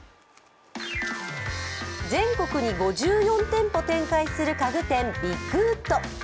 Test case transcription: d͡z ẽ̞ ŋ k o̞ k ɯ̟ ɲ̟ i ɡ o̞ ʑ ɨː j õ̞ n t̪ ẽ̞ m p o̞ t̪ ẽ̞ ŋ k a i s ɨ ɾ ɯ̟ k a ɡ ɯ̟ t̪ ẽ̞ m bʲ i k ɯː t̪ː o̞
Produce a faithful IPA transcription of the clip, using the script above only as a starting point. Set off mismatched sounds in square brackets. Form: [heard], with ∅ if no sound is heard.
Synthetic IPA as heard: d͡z ẽ̞ ŋ k o̞ k ɯ̟ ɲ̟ i ɡ o̞ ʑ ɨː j õ̞ n t̪ ẽ̞ m p o̞ t̪ ẽ̞ ŋ k a i s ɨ ɾ ɯ̟ k a ɡ ɯ̟ t̪ ẽ̞ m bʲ i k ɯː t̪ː o̞